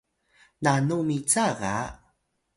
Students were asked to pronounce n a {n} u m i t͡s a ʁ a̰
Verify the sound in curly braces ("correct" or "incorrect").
correct